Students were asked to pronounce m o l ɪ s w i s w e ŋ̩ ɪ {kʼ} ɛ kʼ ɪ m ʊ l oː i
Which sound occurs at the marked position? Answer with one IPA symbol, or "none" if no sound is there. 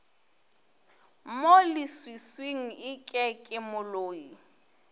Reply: kʼ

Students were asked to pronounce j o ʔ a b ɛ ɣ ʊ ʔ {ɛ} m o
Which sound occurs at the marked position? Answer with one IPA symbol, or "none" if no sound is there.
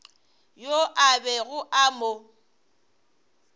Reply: a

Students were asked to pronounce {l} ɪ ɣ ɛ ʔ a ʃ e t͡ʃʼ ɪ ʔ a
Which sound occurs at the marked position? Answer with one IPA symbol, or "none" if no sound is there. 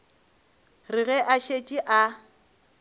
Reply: r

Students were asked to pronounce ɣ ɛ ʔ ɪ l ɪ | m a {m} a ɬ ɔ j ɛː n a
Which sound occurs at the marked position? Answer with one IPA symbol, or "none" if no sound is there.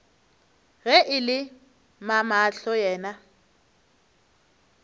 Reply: m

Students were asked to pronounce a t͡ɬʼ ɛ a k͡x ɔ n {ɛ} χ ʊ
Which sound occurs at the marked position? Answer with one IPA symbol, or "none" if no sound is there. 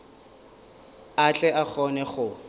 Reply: ɛ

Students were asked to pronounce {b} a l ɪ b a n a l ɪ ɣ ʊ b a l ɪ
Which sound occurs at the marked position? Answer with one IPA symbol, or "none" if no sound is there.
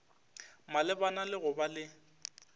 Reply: m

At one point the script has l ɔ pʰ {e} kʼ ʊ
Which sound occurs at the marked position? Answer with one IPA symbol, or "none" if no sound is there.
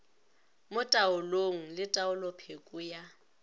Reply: e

